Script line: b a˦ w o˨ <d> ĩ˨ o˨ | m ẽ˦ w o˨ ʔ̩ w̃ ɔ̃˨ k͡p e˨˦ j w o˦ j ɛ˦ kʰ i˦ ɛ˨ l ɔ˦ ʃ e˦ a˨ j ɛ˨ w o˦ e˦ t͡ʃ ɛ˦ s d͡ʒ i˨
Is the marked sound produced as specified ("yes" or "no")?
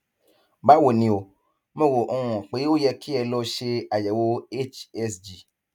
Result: no